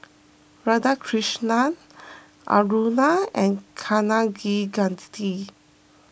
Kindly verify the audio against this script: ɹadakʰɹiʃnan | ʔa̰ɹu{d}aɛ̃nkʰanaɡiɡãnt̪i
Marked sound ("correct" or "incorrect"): incorrect